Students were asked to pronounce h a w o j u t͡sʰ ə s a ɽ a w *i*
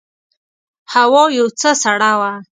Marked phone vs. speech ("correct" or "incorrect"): incorrect